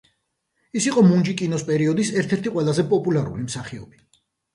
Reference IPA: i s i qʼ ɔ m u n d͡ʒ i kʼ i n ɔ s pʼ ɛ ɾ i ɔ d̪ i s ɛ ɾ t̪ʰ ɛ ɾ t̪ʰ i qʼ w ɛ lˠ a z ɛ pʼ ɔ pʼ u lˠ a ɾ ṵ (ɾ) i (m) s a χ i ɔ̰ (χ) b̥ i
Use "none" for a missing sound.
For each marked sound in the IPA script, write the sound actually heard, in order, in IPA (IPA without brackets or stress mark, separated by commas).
l, m, none